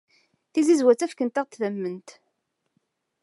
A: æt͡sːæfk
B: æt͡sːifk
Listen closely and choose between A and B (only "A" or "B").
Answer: A